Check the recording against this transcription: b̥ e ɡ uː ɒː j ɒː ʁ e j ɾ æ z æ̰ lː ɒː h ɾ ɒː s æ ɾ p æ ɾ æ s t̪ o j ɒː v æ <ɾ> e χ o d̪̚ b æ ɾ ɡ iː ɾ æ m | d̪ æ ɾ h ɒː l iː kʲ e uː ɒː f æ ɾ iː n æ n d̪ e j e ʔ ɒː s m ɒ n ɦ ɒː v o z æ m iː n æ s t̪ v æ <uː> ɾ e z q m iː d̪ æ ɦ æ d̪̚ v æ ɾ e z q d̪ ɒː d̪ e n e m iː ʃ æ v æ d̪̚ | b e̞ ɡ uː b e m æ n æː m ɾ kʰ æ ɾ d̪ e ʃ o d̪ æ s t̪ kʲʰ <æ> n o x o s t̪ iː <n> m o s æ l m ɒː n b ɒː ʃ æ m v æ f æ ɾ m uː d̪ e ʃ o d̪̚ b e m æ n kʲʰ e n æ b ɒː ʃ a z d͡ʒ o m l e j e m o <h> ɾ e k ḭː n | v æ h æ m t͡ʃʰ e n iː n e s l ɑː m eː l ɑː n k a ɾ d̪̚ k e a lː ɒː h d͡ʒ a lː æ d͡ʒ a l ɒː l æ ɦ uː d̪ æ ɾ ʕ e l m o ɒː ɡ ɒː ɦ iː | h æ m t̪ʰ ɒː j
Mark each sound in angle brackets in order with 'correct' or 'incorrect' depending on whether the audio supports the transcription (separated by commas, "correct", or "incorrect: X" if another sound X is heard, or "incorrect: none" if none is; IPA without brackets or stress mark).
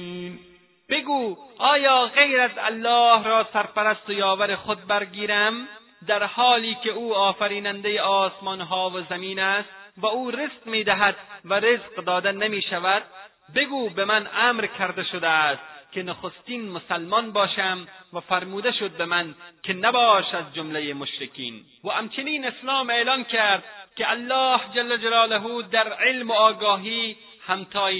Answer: correct, correct, incorrect: e, correct, incorrect: ʃ